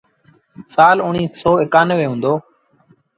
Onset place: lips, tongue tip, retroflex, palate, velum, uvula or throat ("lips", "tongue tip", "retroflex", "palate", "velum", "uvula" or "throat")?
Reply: tongue tip